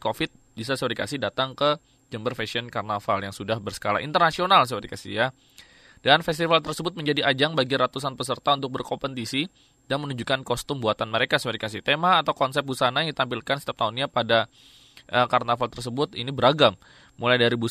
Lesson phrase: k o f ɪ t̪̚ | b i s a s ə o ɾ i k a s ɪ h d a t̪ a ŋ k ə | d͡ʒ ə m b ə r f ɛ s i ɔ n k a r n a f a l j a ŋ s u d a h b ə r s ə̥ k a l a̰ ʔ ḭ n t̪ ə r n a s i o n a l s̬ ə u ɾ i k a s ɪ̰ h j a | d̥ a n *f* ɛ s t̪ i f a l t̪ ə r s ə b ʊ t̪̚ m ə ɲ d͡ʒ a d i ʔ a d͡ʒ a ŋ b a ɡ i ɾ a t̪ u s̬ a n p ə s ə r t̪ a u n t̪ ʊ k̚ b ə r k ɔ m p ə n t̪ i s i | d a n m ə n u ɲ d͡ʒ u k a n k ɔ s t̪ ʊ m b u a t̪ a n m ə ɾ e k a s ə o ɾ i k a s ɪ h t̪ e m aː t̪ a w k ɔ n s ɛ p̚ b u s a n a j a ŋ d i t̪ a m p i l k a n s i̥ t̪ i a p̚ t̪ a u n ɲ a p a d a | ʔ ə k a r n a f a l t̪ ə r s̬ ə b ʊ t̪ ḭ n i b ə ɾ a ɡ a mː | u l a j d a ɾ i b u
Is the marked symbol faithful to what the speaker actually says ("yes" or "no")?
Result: yes